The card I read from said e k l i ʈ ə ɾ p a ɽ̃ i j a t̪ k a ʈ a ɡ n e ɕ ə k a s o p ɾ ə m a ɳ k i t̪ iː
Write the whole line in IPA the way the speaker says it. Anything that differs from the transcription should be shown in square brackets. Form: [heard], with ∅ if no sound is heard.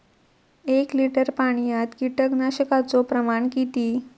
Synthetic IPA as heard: e k l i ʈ ə ɾ p a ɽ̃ i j a t̪ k [i] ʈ [ə] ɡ n [a] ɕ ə k a [t͡s] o p ɾ ə m a ɳ k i t̪ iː